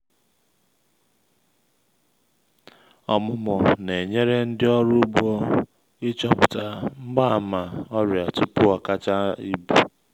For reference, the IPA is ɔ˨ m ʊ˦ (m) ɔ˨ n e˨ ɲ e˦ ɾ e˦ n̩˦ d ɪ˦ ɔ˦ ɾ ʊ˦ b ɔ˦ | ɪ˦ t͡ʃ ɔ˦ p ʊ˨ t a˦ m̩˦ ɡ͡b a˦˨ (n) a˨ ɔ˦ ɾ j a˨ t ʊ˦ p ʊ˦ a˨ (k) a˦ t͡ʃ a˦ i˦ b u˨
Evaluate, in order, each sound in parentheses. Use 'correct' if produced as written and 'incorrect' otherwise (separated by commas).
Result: correct, incorrect, correct